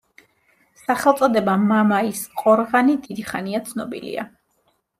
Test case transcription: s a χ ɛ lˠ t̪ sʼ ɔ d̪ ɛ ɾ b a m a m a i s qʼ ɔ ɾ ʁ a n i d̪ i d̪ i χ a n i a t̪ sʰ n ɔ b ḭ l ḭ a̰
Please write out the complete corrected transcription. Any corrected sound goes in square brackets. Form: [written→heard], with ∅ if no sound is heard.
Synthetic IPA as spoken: s a χ ɛ lˠ t̪ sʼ ɔ d̪ ɛ [ɾ→∅] b a m a m a i s qʼ ɔ ɾ ʁ a n i d̪ i d̪ i χ a n i a t̪ sʰ n ɔ b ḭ l ḭ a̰